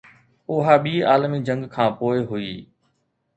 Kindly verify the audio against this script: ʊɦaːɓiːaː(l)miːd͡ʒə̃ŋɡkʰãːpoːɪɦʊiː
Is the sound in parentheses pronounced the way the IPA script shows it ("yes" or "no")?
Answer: yes